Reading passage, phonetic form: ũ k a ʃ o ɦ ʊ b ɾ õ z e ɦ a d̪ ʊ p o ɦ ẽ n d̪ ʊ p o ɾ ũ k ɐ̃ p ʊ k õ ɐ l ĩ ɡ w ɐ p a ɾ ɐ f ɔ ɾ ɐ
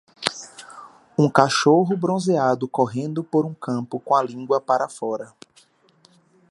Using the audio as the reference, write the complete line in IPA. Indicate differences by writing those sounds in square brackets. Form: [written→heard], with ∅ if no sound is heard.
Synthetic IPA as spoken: ũ k a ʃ o ɦ ʊ b ɾ õ z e [ɦ→∅] a d̪ ʊ [p→k] o ɦ ẽ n d̪ ʊ p o ɾ ũ k ɐ̃ p ʊ k õ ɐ l ĩ ɡ w ɐ p a ɾ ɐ f ɔ ɾ ɐ